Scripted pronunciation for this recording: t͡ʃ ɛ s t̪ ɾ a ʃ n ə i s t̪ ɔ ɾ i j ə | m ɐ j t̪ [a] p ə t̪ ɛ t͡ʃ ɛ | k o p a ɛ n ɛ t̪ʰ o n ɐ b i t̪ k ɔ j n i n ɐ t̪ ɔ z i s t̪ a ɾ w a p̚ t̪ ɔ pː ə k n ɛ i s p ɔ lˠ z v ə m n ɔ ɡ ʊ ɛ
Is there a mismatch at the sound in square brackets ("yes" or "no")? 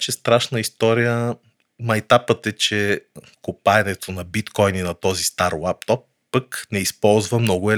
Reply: no